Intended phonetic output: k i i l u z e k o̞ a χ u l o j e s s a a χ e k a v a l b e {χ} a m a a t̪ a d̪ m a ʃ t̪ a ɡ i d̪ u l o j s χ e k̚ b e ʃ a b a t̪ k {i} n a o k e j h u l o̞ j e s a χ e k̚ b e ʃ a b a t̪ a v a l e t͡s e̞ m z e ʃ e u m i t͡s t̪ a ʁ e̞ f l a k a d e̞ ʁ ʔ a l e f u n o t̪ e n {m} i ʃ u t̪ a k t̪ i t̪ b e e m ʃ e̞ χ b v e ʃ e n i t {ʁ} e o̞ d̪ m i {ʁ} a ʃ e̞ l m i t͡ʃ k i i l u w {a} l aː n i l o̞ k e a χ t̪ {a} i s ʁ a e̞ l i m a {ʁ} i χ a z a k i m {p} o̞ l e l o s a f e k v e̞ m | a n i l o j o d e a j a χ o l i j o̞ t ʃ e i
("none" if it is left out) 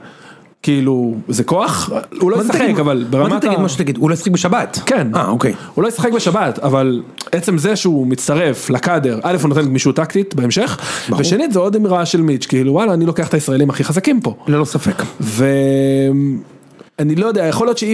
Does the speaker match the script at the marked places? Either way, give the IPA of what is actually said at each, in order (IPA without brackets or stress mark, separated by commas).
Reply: ʁ, e, m, z, ʁ, a, a, χ, p